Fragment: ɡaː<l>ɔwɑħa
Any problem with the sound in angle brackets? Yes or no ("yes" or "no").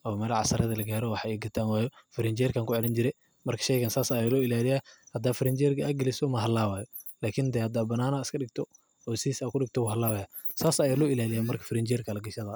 yes